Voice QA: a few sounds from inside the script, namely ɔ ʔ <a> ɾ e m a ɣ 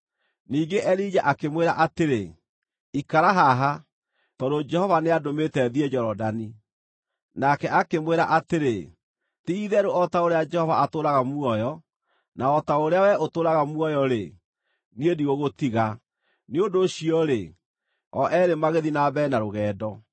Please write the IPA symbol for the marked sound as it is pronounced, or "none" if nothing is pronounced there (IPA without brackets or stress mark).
ɛ